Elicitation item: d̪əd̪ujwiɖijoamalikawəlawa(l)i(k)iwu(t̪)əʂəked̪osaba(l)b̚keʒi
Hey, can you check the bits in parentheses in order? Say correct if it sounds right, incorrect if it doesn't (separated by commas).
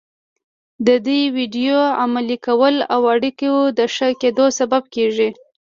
incorrect, correct, incorrect, incorrect